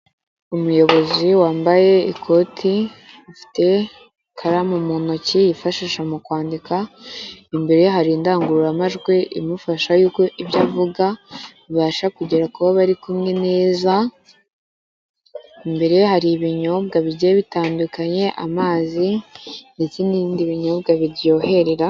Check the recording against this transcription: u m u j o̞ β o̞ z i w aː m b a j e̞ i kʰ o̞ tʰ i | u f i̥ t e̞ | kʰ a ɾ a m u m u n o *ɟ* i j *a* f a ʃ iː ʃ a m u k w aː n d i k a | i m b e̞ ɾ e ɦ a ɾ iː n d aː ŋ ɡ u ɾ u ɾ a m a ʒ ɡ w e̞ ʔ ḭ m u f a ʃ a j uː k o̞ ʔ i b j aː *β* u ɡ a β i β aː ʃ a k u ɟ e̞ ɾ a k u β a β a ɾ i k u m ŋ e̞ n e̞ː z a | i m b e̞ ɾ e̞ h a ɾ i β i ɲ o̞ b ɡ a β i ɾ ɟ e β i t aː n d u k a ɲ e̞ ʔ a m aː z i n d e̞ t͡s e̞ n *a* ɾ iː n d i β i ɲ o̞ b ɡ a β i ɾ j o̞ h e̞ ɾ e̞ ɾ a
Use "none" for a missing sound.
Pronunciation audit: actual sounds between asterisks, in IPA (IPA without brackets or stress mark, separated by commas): c, i, v, i